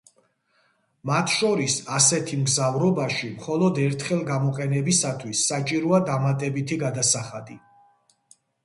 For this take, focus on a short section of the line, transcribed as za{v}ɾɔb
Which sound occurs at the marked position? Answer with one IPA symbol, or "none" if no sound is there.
v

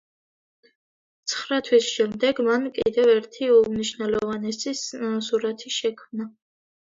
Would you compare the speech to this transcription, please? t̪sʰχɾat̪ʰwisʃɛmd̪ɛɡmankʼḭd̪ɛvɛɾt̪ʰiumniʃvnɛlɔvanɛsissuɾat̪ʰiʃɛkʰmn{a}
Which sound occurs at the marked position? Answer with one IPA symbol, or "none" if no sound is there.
a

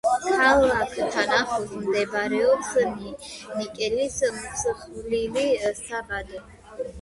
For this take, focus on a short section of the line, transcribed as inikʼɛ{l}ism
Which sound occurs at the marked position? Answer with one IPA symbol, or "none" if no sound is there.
l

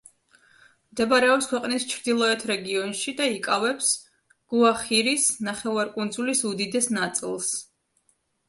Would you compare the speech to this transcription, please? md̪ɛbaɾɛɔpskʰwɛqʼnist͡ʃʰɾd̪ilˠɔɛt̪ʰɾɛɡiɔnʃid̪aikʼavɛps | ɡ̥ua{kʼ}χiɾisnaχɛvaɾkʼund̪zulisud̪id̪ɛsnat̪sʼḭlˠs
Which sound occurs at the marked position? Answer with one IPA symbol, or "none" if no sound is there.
none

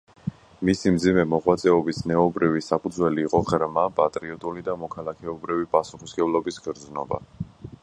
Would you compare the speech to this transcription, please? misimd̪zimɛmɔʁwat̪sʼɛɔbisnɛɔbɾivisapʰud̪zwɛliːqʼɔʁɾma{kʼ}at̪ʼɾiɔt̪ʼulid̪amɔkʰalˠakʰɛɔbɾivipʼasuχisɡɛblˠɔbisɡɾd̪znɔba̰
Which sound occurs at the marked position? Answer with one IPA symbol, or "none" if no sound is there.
pʼ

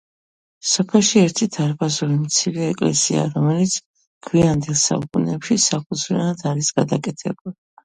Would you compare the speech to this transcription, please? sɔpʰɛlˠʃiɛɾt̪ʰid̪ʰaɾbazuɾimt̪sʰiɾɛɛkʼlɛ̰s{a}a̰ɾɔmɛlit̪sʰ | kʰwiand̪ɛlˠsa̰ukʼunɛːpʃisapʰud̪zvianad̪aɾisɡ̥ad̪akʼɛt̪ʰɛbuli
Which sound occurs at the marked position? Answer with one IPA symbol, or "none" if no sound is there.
i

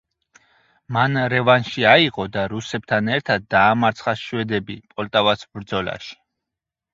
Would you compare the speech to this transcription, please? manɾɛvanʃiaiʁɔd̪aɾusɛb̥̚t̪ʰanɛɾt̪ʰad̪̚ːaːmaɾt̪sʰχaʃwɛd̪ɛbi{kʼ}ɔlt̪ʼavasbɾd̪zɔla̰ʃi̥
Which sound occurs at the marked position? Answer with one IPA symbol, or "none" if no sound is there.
pʼ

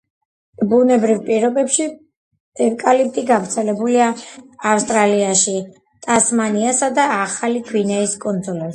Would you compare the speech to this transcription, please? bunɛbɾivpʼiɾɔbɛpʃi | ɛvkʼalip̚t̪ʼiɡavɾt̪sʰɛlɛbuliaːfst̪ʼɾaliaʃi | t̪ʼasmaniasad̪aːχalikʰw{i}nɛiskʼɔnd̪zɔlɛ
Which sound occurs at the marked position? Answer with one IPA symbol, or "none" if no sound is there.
i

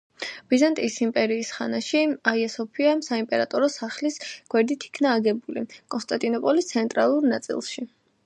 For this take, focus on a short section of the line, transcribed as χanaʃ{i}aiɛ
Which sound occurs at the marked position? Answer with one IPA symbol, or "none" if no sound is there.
i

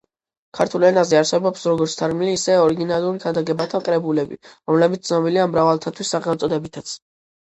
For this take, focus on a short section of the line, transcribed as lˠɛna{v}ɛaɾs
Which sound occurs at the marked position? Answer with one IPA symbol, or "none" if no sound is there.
z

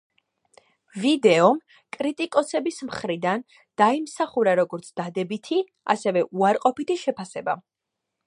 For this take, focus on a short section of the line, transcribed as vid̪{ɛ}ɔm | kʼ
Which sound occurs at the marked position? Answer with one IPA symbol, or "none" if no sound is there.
ɛ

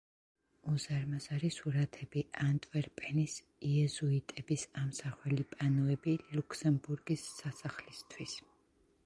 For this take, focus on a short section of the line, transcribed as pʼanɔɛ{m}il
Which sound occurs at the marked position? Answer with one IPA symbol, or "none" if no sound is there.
b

